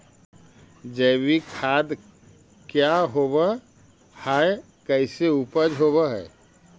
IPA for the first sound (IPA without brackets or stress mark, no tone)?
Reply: d͡ʒ